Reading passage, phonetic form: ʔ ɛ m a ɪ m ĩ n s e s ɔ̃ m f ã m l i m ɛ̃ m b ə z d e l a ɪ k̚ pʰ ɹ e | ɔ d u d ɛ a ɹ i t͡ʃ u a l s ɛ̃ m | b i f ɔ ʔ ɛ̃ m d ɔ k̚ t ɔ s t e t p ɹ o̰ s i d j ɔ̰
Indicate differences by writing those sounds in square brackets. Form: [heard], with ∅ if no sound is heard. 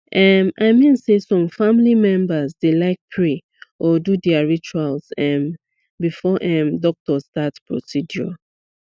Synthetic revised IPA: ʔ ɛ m a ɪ m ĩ n s e s ɔ̃ m f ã m l i m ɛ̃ m b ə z d e l a ɪ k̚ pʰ ɹ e | ɔ d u d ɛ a ɹ i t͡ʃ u a l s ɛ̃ m | b i f ɔ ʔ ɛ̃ m d ɔ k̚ t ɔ s t [a] t p ɹ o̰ s i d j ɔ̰